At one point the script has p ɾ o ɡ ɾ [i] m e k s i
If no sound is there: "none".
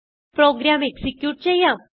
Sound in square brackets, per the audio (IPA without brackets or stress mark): a